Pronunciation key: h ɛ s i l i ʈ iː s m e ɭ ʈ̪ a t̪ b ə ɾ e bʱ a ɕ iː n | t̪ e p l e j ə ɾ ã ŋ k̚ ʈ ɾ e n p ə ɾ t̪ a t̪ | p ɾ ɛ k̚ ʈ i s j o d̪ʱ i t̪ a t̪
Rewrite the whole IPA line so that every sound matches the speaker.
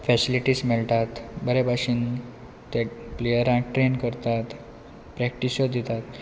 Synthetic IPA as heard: f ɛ s i l i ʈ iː s m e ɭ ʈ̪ a t̪ b ə ɾ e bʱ a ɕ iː n | t̪ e p l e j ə ɾ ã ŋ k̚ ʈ ɾ e n k ə ɾ t̪ a t̪ | p ɾ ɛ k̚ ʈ i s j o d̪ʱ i t̪ a t̪